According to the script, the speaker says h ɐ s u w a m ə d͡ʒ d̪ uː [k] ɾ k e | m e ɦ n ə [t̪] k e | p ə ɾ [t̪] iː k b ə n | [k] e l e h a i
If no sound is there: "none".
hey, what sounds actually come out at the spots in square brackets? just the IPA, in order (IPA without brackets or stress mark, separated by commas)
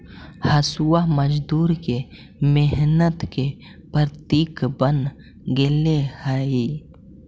none, t̪, t̪, ɡ